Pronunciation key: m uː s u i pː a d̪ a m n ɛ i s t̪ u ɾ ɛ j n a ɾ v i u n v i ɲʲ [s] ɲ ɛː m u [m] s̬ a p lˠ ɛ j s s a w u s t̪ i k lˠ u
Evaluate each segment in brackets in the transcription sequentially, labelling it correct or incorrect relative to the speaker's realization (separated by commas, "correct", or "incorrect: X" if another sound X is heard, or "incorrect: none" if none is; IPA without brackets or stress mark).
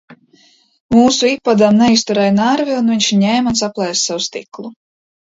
incorrect: ʃ, incorrect: n